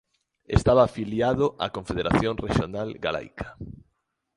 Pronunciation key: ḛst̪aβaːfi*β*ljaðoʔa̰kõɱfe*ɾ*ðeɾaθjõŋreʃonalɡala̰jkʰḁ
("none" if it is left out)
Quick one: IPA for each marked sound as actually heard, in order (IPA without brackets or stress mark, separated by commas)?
none, none